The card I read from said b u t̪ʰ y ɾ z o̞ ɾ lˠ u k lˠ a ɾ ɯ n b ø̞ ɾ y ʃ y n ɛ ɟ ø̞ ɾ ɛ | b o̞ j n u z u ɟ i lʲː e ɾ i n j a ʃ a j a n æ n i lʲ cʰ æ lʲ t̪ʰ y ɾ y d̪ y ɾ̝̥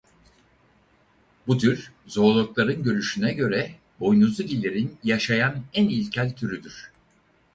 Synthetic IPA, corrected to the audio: b u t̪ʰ y ɾ z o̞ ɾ lˠ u k lˠ a ɾ ɯ n ɟ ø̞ ɾ y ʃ y n ɛ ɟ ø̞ ɾ ɛ | b o̞ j n u z u ɟ i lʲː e ɾ i n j a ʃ a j a n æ n i lʲ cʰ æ lʲ t̪ʰ y ɾ y d̪ y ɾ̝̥